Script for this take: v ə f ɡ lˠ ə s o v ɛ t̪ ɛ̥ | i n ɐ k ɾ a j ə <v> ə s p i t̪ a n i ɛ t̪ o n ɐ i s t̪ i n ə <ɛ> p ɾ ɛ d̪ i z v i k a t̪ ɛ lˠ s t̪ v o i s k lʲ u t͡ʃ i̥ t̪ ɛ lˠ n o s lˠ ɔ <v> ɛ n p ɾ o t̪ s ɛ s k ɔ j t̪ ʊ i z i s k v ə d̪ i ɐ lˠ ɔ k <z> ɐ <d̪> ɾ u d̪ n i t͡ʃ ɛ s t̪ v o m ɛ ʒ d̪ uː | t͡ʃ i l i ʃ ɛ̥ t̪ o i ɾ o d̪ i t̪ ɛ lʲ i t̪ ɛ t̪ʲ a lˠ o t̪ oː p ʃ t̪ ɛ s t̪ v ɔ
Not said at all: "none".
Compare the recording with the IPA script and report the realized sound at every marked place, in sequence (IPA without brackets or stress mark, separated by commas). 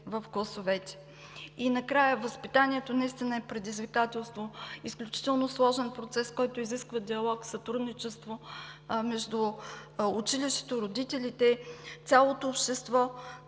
v, ɛ, ʒ, s, t̪